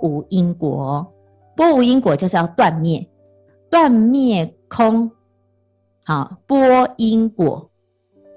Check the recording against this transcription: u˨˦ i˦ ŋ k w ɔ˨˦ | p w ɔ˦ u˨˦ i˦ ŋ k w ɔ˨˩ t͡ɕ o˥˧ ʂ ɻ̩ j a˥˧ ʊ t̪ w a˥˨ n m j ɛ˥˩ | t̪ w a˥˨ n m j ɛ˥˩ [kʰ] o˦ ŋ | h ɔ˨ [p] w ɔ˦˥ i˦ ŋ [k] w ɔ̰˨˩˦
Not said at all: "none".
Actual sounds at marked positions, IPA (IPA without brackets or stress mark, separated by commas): kʰ, p, k